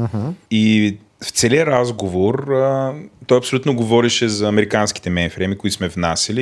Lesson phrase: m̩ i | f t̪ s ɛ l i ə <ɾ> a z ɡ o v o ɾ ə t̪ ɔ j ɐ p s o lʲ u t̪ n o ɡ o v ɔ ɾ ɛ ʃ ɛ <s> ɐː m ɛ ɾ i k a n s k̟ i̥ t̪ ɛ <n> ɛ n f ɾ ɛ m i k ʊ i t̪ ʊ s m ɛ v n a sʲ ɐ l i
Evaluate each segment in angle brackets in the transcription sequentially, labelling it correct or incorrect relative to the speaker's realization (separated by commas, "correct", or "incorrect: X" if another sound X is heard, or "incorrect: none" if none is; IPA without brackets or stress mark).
correct, incorrect: z, incorrect: m